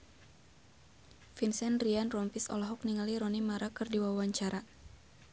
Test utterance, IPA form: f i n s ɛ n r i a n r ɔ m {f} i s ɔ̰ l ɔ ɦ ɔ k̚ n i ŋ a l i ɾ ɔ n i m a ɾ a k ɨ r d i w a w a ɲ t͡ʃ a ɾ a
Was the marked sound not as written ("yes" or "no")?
no